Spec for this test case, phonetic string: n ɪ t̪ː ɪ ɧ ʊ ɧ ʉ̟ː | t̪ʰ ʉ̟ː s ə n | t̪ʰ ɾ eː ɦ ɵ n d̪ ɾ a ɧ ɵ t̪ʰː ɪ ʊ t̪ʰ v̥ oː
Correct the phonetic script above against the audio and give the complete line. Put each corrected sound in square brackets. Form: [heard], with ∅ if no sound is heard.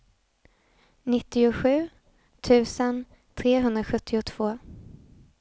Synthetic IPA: n ɪ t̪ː ɪ [∅] ʊ ɧ ʉ̟ː | t̪ʰ ʉ̟ː s ə n | t̪ʰ ɾ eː ɦ ɵ n d̪ ɾ a ɧ ɵ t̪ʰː ɪ ʊ t̪ʰ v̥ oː